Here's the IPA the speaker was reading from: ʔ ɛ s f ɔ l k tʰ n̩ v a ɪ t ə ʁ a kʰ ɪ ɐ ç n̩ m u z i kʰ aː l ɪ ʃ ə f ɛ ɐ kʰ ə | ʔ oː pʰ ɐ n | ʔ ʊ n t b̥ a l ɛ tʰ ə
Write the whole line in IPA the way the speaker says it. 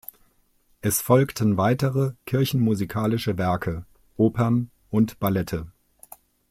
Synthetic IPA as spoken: ʔ ɛ s f ɔ l k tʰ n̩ v a ɪ t ə ʁ ə kʰ ɪ ɐ ç n̩ m u z i kʰ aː l ɪ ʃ ə v ɛ ɐ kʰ ə | ʔ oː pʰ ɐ n | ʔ ʊ n t b̥ a l ɛ tʰ ə